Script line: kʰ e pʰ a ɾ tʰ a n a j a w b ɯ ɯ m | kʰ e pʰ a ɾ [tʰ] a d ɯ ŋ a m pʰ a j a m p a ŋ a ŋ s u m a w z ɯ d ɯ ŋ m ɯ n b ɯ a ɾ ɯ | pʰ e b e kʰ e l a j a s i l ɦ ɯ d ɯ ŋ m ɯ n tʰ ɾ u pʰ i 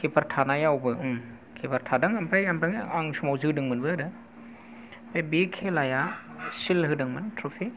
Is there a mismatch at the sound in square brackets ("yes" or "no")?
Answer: no